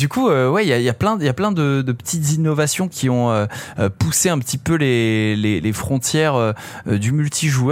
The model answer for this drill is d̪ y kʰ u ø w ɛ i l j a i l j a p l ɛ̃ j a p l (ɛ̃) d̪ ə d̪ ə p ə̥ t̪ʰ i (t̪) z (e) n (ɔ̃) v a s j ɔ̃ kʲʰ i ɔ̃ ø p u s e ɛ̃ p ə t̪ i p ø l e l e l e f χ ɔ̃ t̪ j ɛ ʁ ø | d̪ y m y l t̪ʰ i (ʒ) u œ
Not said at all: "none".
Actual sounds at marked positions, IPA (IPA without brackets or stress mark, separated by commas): ɛ̃, t̪, i, ɔ, ʒ